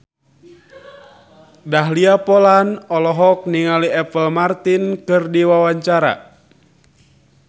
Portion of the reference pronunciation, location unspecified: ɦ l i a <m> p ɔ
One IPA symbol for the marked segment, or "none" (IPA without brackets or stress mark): none